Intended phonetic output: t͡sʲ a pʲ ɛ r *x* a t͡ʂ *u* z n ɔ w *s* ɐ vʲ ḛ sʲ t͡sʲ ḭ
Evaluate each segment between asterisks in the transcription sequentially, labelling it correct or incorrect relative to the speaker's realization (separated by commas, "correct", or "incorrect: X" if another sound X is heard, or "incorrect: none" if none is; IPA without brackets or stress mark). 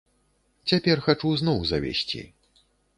correct, correct, incorrect: z